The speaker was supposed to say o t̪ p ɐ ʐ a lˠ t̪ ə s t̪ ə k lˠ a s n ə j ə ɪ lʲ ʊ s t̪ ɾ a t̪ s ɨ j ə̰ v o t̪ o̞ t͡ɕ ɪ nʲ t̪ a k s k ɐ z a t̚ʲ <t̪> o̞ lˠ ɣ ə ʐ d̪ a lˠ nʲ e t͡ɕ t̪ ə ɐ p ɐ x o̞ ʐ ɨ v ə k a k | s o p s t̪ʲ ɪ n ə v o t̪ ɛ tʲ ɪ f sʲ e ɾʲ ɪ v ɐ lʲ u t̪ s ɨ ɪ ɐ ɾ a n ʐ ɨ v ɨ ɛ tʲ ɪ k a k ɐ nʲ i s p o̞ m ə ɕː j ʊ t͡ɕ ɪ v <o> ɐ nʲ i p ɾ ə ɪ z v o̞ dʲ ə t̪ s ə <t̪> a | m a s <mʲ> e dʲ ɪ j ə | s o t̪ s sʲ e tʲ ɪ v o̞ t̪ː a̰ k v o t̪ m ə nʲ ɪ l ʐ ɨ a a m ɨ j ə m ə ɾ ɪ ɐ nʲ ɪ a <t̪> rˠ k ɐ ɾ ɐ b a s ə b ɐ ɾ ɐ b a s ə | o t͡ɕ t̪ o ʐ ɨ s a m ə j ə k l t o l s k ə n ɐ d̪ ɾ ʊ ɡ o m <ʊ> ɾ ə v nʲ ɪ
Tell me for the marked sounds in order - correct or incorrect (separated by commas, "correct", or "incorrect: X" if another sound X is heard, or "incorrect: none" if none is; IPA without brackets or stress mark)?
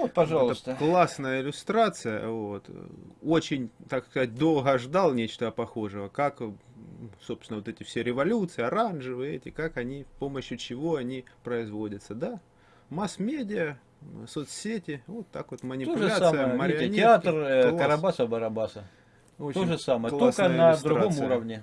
incorrect: d̪, correct, incorrect: d̪, correct, correct, incorrect: u